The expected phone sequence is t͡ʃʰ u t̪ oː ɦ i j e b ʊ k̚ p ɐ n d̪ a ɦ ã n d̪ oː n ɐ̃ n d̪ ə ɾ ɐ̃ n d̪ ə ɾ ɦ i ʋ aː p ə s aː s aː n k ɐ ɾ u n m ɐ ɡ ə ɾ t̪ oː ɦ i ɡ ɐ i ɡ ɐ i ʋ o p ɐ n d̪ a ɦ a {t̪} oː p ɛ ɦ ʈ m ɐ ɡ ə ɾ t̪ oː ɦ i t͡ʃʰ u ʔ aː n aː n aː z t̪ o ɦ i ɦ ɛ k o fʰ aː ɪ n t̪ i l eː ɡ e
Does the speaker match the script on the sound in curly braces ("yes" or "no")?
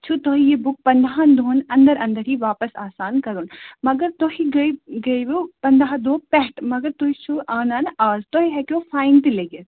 no